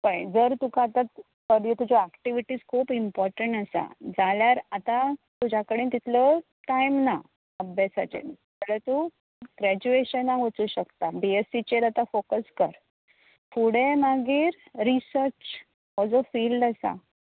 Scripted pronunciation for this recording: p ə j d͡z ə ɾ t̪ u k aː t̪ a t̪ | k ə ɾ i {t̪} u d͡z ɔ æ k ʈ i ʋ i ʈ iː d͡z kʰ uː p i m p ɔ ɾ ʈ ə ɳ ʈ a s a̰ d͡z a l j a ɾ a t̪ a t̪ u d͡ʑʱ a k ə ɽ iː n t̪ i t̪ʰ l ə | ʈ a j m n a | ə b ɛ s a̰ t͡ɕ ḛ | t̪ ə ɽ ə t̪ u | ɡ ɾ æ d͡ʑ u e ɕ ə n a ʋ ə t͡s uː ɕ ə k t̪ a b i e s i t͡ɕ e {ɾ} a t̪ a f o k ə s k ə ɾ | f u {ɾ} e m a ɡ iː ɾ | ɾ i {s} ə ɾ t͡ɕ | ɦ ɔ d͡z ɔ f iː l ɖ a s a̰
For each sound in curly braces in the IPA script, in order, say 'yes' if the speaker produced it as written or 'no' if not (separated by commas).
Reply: yes, yes, no, yes